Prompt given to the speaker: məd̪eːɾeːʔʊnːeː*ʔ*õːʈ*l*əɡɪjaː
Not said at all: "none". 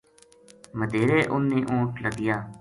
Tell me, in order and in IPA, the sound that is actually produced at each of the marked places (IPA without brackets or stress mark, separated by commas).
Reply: ʔ, l